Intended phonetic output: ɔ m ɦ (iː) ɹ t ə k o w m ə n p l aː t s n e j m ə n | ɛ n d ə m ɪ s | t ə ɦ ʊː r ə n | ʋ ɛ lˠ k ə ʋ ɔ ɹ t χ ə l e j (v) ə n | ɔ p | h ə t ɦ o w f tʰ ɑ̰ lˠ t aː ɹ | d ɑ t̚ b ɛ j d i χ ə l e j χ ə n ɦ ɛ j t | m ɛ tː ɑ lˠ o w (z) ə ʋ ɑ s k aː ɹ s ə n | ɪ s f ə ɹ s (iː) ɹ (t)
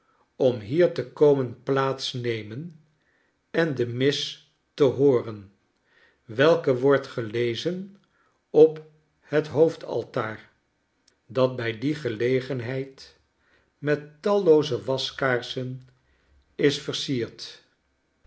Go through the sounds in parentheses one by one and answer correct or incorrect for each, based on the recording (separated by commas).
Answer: correct, incorrect, correct, correct, correct